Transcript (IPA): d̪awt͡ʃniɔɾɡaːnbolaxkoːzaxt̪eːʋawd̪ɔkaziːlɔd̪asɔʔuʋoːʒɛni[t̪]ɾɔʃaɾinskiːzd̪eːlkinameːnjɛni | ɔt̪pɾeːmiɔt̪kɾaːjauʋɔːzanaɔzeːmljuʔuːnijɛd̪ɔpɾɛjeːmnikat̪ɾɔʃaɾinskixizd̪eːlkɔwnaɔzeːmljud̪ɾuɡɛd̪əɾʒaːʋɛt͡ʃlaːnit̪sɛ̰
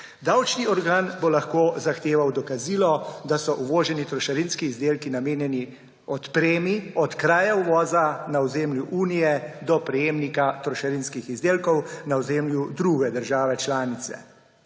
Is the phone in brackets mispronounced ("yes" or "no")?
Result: no